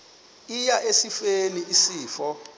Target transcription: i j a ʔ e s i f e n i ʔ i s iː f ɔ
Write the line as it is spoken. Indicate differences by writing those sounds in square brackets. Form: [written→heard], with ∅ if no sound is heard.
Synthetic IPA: i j a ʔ e s i f e n i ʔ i s iː f ɔ